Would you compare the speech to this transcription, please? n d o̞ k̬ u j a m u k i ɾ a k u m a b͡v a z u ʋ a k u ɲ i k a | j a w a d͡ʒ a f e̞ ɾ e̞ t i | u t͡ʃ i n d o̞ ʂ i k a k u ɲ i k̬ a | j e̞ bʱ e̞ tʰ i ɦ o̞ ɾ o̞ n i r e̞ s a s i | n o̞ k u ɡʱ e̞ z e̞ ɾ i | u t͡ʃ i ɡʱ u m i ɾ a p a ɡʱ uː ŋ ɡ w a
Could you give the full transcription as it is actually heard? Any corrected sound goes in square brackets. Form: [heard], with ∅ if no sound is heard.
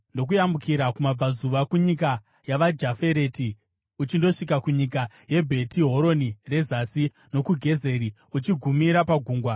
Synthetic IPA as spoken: n d o̞ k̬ u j a m u k i ɾ a k u m a b͡v a z u ʋ a k u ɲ i k a | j a [ʋ] a d͡ʒ a f e̞ ɾ e̞ t i | u t͡ʃ i n d o̞ ʂ i k a k u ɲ i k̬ a | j e̞ bʱ e̞ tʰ i ɦ o̞ ɾ o̞ n i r e̞ [z] a s i | n o̞ k u ɡʱ e̞ z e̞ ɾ i | u t͡ʃ i ɡʱ u m i ɾ a p a ɡʱ uː ŋ ɡ w a